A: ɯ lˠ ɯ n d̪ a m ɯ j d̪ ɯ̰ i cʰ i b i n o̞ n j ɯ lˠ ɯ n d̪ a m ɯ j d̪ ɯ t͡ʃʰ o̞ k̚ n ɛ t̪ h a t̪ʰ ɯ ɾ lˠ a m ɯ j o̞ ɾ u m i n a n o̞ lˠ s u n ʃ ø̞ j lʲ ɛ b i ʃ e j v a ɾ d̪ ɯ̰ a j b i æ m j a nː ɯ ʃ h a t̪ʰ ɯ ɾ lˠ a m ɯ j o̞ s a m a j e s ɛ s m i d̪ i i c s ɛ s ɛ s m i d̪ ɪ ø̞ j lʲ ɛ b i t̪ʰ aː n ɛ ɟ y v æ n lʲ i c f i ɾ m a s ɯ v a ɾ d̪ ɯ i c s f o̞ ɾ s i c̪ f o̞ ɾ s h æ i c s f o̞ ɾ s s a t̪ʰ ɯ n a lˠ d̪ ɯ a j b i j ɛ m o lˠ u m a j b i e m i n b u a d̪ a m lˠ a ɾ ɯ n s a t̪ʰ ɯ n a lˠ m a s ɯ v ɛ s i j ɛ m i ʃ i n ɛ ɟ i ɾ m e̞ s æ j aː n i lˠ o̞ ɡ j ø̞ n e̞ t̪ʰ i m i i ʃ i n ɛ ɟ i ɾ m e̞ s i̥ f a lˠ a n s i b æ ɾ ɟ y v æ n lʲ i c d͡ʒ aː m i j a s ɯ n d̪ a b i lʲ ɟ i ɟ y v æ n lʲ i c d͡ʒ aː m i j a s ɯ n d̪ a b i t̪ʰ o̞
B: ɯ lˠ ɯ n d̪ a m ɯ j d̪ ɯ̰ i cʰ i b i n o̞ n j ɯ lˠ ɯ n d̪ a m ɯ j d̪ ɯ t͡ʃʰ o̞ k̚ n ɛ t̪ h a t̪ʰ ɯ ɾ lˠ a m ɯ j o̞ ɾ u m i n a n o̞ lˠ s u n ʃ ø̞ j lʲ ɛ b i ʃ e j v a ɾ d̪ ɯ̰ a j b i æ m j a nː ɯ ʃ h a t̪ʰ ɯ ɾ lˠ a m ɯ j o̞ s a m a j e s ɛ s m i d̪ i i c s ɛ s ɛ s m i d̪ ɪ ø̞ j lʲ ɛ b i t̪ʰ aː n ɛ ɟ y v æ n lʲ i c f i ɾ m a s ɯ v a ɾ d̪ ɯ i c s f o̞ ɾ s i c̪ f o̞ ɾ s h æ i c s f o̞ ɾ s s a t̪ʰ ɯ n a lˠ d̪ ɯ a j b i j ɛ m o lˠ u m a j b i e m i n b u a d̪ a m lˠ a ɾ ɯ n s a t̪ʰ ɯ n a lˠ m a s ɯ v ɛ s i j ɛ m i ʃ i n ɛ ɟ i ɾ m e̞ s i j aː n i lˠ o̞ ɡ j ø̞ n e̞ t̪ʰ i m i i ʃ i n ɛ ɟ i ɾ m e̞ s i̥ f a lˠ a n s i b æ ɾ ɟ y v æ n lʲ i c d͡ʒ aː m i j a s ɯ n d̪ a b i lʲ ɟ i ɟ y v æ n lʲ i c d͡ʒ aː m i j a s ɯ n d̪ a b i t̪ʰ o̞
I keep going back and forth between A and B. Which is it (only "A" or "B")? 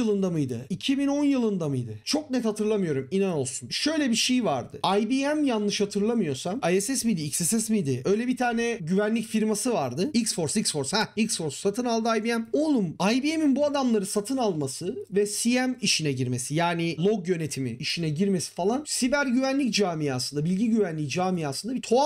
B